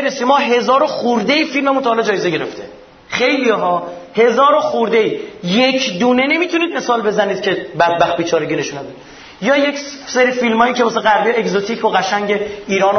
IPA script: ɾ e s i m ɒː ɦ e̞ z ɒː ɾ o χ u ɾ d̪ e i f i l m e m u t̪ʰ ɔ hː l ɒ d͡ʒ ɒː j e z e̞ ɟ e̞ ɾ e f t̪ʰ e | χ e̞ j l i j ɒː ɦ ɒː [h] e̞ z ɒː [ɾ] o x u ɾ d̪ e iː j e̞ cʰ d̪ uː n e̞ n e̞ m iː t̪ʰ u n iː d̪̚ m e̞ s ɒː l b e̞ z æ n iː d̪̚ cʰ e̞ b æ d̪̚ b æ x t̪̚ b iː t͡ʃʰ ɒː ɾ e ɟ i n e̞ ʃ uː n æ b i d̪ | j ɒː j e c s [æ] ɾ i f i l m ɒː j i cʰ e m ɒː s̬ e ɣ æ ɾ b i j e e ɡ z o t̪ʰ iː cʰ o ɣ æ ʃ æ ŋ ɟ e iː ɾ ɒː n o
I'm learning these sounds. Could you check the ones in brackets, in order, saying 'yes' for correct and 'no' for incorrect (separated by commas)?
yes, yes, no